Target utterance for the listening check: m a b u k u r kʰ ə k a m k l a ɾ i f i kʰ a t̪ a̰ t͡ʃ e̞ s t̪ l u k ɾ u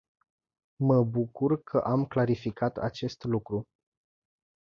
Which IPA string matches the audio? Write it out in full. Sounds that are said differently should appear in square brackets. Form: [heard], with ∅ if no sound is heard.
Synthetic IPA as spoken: m [ə] b u k u r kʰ ə [ʔ] a m k l a ɾ i f i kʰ a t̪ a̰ t͡ʃ e̞ s t̪ l u k ɾ u